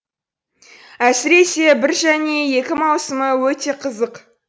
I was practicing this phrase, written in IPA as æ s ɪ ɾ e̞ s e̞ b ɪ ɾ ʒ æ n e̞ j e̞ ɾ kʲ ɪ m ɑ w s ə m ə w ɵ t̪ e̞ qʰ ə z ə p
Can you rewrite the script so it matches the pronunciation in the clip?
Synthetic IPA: æ s ɪ ɾ e̞ s e̞ b ɪ ɾ ʒ æ n e̞ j e̞ kʲ ɪ m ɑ w s ə m ə w ɵ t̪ e̞ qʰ ə z ə q